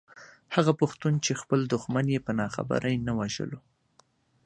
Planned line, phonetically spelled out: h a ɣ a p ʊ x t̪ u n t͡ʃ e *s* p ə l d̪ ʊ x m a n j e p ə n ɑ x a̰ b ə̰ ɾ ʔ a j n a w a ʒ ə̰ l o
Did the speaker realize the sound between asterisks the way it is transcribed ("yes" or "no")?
no